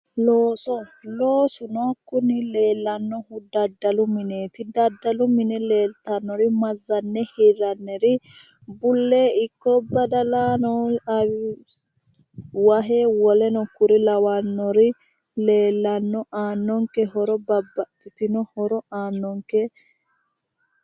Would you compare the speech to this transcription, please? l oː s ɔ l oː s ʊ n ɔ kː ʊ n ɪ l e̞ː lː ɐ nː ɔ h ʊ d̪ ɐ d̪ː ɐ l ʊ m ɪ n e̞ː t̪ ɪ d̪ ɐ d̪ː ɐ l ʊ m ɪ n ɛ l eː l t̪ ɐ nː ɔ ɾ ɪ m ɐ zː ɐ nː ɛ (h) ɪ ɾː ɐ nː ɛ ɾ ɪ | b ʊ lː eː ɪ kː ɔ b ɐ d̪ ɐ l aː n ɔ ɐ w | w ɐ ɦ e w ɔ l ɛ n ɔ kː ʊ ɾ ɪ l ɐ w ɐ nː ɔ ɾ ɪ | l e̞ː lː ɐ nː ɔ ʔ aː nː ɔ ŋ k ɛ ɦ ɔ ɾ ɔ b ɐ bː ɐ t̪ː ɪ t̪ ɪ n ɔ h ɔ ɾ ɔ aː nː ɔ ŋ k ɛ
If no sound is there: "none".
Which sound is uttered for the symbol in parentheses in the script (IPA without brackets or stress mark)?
h